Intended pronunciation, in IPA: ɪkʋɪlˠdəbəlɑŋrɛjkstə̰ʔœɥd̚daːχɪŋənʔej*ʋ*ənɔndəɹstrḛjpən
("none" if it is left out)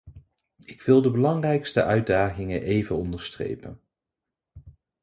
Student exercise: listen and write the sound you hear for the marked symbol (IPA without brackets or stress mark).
v